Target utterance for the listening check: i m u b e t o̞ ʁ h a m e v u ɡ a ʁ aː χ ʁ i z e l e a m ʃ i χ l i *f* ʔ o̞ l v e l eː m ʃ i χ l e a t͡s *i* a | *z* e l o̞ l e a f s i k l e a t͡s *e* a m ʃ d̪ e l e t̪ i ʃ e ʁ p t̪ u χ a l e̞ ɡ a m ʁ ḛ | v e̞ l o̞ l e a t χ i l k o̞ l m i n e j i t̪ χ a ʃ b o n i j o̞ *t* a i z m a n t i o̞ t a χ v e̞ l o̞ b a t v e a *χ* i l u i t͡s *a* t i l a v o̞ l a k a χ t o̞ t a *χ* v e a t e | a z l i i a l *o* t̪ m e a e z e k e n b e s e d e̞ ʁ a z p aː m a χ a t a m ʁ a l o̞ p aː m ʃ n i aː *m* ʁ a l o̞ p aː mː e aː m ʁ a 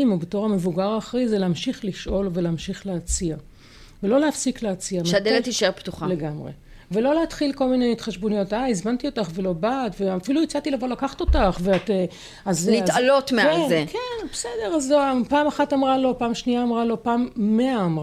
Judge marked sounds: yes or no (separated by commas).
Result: no, yes, no, no, yes, no, yes, yes, yes, yes